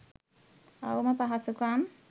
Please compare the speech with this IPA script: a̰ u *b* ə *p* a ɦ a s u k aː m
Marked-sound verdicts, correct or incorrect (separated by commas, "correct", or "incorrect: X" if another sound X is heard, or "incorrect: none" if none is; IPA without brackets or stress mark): incorrect: m, correct